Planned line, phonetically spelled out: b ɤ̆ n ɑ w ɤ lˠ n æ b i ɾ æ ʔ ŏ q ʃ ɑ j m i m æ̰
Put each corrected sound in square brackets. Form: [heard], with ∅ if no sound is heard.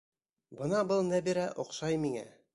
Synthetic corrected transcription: b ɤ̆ n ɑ [b] ɤ lˠ n æ b i ɾ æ ʔ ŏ q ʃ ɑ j m i [ŋ] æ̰